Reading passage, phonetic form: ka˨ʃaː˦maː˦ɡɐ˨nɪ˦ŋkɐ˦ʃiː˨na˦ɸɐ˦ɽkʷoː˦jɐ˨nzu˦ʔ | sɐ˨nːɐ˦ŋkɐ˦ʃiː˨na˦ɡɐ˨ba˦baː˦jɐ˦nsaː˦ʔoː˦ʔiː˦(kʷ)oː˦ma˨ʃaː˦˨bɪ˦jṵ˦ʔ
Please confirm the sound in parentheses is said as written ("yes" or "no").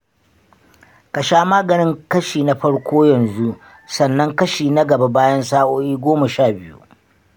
no